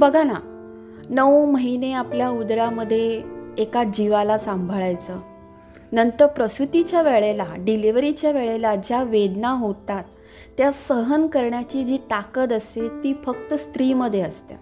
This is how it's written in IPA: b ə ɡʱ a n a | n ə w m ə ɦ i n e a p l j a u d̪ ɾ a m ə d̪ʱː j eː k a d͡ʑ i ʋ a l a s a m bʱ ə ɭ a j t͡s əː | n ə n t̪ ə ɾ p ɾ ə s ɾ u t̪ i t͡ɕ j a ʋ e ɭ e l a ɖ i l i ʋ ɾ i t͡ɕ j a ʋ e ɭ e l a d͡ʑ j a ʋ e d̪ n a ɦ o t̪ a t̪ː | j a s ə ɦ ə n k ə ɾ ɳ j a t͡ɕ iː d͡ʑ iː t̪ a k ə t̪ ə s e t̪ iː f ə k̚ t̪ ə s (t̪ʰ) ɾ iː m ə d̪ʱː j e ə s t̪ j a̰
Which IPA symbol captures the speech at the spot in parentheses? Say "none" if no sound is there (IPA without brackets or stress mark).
t̪